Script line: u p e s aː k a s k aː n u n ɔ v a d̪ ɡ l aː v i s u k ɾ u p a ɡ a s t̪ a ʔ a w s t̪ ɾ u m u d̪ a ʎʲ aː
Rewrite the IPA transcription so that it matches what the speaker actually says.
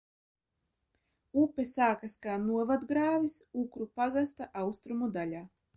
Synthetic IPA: u p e s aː k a s k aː n u ɔ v a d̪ ɡ ɾ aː v i s u k ɾ u p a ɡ a s t̪ a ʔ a w s t̪ ɾ u m u d̪ a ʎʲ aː